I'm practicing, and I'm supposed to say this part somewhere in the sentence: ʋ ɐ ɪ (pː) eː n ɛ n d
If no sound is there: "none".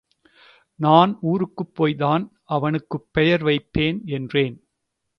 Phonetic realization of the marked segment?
pː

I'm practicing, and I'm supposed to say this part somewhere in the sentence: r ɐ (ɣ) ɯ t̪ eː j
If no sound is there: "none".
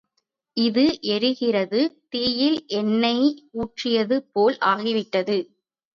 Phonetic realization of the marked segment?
ð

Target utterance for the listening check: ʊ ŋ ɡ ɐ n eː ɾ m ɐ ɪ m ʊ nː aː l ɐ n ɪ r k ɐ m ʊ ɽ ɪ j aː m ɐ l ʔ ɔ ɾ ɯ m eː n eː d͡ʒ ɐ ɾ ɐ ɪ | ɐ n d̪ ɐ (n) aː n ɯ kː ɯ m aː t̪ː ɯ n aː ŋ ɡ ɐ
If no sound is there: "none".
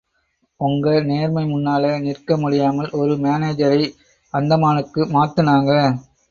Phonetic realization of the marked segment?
m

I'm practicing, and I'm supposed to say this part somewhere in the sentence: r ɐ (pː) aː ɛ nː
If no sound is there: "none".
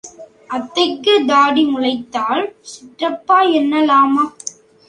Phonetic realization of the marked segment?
pː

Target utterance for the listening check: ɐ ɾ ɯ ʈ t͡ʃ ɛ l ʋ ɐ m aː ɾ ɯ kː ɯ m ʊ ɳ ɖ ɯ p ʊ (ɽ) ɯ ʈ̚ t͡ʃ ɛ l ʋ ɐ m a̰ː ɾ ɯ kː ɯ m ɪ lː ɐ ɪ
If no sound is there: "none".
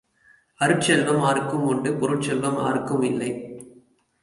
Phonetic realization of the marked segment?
ɾ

